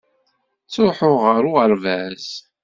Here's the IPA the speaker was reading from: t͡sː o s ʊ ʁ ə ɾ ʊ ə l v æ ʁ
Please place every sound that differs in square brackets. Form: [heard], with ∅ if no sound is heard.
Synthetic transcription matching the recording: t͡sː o [ħ] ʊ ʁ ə ɾ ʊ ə [ɾ] v æ [z]